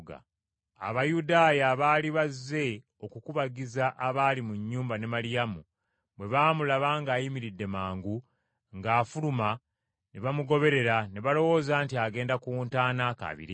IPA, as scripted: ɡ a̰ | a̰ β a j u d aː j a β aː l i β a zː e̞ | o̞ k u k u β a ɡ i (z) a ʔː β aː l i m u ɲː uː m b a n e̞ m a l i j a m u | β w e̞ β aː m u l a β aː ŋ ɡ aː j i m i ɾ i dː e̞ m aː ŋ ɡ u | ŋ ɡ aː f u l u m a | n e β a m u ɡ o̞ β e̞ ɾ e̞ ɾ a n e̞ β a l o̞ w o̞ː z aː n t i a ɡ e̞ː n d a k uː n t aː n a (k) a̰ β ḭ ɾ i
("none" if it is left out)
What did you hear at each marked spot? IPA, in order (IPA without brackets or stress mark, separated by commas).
z, k